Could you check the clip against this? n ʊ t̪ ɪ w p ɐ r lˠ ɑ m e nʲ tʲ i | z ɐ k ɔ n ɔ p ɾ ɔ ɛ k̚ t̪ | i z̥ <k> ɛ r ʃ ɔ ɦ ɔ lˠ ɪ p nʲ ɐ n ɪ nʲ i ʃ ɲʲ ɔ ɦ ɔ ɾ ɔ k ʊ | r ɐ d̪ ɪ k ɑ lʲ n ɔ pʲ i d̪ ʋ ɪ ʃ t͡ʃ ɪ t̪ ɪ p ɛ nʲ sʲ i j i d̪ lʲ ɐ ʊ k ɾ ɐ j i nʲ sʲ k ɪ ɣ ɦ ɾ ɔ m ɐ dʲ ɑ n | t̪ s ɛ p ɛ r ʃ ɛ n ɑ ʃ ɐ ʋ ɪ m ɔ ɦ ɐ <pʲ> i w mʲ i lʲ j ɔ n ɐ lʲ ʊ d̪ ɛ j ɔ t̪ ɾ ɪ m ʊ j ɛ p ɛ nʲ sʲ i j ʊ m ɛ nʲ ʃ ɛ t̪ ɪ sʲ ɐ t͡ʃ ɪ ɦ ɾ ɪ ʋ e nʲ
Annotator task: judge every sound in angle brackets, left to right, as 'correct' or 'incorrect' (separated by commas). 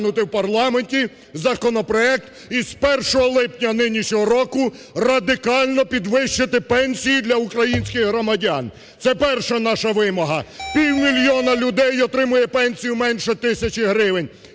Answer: incorrect, correct